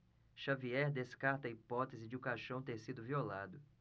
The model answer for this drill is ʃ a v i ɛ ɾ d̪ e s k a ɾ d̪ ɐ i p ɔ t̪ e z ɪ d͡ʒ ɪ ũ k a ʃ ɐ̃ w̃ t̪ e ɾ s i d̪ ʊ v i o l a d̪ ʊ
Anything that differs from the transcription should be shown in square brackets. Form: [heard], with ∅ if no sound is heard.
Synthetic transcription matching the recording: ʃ a v i ɛ ɾ d̪ e s k a ɾ [t̪] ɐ i p ɔ t̪ e z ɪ d͡ʒ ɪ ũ k a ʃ ɐ̃ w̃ t̪ e ɾ s i d̪ ʊ v i o l a d̪ ʊ